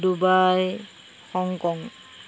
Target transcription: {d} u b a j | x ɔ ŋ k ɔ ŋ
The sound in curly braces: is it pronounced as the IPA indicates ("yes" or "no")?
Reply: yes